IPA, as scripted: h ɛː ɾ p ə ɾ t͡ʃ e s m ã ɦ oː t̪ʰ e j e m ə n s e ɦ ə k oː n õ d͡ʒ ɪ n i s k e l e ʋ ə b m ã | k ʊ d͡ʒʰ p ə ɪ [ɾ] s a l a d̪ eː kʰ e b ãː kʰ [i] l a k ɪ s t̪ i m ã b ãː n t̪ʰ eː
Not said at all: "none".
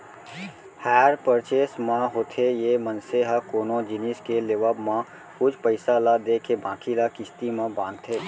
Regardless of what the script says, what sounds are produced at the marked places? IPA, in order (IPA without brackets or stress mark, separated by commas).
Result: none, i